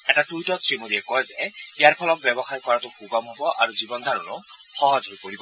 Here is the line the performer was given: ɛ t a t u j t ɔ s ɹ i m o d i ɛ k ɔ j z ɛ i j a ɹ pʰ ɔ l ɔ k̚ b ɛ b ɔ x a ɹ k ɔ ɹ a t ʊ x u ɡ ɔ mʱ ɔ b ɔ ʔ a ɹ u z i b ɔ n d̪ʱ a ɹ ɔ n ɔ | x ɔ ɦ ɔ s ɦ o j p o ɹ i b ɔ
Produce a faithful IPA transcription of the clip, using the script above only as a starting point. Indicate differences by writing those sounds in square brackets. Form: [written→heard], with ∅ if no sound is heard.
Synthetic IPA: ɛ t a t u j t ɔ s ɹ i m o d i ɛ k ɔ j z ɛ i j a ɹ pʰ ɔ l ɔ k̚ b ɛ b ɔ x a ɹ k ɔ ɹ a t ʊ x u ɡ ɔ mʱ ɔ b ɔ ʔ a ɹ u z i b ɔ n d̪ʱ a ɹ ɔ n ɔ | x ɔ ɦ ɔ [s→z] ɦ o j p o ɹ i b ɔ